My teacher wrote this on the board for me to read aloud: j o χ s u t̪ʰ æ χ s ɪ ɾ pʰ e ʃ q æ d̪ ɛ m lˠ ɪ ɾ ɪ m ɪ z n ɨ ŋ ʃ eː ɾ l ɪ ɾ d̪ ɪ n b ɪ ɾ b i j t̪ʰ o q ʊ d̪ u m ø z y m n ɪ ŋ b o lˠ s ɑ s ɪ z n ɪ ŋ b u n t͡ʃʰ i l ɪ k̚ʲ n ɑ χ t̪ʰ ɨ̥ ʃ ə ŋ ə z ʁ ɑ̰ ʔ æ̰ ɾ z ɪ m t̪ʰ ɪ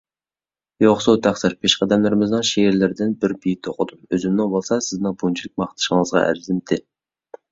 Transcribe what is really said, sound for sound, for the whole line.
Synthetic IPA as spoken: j o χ s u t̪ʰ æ χ s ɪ ɾ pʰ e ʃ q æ d̪ ɛ m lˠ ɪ ɾ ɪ m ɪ z n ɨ ŋ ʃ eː ɾ l ɪ ɾ d̪ ɪ n b ɪ ɾ b i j t̪ʰ o q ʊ d̪ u m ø z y m n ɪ ŋ b o lˠ s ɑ s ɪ z n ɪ ŋ b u n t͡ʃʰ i l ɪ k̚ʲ m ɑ χ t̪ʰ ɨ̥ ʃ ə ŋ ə z ʁ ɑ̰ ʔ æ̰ ɾ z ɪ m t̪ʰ ɪ

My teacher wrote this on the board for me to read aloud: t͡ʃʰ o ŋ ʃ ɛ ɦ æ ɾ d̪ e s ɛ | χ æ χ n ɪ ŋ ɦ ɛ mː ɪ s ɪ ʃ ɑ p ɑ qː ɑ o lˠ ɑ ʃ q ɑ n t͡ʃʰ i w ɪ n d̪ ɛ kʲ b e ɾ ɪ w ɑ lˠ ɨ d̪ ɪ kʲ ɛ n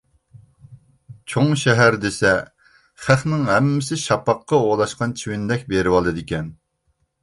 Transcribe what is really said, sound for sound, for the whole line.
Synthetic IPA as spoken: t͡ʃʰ o ŋ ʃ ɛ ɦ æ ɾ d̪ e s ɛ | χ æ χ n ɪ ŋ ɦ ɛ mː ɪ s ɪ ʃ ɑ p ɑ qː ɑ o lˠ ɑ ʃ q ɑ n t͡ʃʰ i w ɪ n d̪ ɛ kʲ b e ɾ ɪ w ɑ lˠ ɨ d̪ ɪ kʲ ɛ n

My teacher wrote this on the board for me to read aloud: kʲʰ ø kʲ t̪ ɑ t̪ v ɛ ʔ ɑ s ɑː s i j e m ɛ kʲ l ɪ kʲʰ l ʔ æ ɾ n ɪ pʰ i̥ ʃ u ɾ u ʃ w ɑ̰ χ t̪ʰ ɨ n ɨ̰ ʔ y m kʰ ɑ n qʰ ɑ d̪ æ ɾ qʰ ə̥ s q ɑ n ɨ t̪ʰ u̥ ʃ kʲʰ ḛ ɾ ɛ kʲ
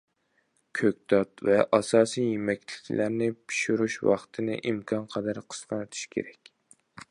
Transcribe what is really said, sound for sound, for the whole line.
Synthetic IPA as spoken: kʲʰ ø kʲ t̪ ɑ t̪ v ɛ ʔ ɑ s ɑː s i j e m ɛ kʲ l ɪ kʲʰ l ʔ æ ɾ n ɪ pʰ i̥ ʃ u ɾ u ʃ w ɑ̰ χ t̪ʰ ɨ n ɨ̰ ʔ i m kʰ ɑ n qʰ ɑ d̪ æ ɾ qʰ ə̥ s q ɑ n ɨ t̪ʰ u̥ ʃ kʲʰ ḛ ɾ ɛ kʲ

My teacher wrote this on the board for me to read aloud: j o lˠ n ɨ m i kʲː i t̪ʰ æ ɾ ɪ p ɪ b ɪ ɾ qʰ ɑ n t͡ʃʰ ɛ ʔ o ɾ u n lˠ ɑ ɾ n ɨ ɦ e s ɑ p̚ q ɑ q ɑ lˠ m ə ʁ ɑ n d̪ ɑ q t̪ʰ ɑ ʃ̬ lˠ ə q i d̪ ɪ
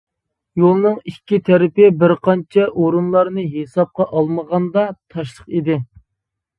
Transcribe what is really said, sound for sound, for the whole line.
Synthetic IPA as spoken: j o lˠ n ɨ ŋ i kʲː i t̪ʰ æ ɾ ɪ p ɪ b ɪ ɾ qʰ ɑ n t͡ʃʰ ɛ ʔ o ɾ u n lˠ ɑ ɾ n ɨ ɦ e s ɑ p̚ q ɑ ʔ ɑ lˠ m ə ʁ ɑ n d̪ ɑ t̪ʰ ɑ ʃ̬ lˠ ə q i d̪ ɪ

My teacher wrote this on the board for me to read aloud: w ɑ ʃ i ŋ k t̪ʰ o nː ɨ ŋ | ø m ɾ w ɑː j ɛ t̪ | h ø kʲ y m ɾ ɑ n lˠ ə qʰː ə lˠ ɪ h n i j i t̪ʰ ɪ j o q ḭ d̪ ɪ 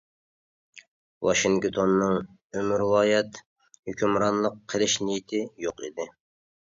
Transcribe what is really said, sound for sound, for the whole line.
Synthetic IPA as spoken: w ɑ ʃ i ŋ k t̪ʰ o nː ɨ ŋ | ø m ɾ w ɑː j ɛ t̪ | h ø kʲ y m ɾ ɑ n lˠ ə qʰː ə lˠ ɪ ʃ n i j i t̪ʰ ɪ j o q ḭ d̪ ɪ

